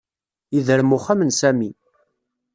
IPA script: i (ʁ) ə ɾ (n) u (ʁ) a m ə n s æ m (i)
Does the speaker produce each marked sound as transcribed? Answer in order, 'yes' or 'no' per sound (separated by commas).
no, no, no, yes